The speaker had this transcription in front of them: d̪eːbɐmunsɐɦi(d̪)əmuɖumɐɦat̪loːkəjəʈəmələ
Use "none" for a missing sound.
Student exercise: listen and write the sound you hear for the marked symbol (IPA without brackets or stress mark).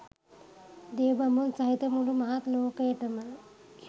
t̪